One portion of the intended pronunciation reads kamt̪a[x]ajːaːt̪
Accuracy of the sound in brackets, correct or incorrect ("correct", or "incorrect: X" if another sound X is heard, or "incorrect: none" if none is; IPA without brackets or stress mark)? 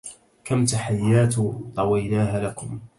incorrect: ħ